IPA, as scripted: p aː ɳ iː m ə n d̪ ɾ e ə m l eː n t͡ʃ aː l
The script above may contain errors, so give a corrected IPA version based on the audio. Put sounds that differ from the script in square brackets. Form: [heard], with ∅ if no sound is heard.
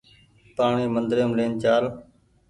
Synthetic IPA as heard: p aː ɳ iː m ə n d̪ ɾ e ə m l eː n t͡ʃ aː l